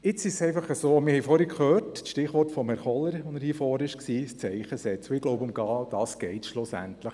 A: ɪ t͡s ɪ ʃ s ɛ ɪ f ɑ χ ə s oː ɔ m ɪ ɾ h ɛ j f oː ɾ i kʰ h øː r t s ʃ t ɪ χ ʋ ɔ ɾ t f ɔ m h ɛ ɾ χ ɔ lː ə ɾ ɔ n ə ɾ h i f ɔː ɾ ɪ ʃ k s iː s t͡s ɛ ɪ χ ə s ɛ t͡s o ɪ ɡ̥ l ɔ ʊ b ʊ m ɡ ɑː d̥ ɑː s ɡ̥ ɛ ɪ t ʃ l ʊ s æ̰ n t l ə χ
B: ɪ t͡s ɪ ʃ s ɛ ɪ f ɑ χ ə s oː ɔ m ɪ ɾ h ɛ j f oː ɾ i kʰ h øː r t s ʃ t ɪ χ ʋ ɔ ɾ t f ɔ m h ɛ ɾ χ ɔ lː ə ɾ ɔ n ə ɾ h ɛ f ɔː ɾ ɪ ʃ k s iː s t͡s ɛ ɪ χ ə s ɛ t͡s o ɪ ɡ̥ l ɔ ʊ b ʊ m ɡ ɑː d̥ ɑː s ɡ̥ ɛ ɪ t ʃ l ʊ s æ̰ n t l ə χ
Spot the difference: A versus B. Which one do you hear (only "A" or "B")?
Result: A